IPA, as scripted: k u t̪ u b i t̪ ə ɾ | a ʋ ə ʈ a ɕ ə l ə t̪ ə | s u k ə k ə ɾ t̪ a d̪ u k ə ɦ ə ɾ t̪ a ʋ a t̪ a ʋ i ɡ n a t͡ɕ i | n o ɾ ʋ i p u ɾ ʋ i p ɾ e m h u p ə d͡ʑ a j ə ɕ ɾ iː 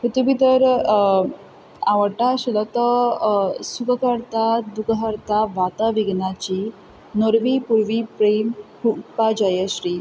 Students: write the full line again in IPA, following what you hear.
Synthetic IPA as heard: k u t̪ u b i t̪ ə ɾ | a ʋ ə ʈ a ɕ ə l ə t̪ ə | s u k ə k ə ɾ t̪ a d̪ u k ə ɦ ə ɾ t̪ a ʋ a t̪ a ʋ i ɡ n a t͡ɕ i | n o ɾ ʋ i p u ɾ ʋ i p ɾ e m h u p a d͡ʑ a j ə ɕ ɾ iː